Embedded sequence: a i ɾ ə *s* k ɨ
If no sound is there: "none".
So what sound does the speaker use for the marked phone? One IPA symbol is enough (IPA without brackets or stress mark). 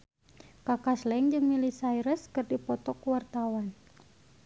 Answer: s